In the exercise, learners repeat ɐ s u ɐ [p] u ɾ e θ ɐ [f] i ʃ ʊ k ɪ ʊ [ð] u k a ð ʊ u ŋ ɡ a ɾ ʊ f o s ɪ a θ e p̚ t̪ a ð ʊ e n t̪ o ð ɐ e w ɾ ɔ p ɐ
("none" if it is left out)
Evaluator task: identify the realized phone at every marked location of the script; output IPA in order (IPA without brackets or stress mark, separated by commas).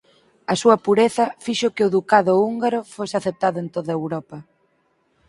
p, f, ð